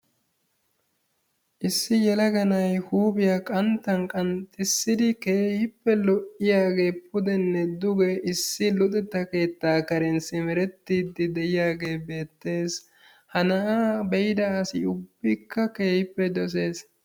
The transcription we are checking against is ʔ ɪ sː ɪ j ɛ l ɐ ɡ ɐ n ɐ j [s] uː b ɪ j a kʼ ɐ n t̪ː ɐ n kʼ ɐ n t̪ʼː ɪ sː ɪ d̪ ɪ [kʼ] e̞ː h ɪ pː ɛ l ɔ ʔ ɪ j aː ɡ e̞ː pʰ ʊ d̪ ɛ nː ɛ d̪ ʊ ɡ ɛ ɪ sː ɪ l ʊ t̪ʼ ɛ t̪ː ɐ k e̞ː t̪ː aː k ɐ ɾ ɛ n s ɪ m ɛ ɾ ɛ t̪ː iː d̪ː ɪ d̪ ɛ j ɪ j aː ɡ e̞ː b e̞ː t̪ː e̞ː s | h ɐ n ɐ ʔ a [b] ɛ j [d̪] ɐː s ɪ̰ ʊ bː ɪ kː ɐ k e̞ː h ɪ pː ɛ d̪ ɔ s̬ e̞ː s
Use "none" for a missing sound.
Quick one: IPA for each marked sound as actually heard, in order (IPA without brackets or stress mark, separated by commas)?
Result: h, k, b, d̪